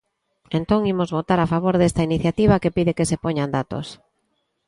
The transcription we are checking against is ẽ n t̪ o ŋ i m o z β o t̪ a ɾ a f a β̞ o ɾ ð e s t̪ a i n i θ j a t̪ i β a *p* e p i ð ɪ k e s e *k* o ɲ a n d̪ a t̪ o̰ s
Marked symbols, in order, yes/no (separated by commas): no, no